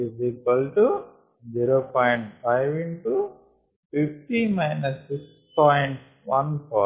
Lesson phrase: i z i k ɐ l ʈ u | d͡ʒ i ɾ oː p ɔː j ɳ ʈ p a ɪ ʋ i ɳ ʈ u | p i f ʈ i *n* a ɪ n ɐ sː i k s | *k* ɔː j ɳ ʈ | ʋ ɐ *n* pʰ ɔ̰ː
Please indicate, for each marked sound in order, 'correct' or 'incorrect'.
incorrect: m, incorrect: p, correct

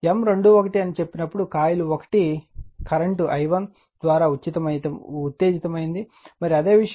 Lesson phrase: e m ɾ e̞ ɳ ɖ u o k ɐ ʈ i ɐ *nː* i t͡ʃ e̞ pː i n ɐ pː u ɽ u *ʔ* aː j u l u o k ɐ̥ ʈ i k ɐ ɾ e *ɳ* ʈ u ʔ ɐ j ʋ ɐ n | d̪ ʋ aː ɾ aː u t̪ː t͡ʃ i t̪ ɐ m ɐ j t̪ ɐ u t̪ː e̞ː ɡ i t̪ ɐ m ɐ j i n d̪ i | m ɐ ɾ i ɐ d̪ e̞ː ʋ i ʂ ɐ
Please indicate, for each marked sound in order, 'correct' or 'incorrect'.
incorrect: n, incorrect: k, correct

